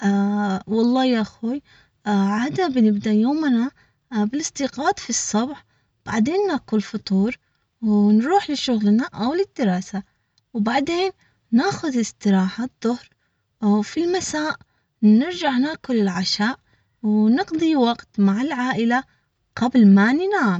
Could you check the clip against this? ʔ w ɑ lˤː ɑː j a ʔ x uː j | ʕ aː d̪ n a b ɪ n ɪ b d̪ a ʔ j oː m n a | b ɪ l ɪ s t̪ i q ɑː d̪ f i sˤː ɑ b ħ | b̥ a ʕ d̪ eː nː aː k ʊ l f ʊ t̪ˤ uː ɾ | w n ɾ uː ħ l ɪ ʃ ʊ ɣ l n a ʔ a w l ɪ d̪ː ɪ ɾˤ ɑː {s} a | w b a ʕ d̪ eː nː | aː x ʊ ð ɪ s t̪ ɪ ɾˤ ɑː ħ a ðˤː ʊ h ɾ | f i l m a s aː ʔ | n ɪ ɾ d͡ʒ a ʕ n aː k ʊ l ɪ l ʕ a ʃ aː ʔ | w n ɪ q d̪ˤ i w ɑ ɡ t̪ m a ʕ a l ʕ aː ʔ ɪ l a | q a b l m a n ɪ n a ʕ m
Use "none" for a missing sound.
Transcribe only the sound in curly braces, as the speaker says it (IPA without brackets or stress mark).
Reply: s